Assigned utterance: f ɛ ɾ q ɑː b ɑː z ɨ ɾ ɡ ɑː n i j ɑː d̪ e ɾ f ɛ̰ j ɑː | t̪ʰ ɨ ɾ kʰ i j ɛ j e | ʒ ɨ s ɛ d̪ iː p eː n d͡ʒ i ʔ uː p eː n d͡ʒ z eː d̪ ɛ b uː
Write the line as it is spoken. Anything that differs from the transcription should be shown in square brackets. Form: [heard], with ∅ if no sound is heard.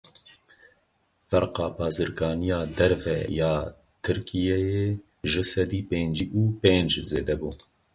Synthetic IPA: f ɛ ɾ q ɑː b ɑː z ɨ ɾ ɡ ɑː n i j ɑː d̪ [ɛ] ɾ [v] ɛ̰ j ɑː | t̪ʰ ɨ ɾ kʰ i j ɛ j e | ʒ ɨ s ɛ d̪ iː p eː n d͡ʒ i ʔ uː p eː n d͡ʒ z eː d̪ ɛ b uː